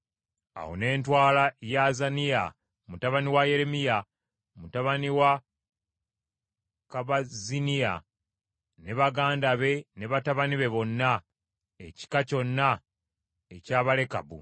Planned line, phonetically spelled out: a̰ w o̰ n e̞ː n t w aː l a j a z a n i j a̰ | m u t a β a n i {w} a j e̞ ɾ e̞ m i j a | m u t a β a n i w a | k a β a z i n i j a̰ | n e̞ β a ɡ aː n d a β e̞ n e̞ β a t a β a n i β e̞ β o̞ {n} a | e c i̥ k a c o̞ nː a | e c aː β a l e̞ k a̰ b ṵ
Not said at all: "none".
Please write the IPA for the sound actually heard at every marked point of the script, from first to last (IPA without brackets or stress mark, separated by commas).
w, nː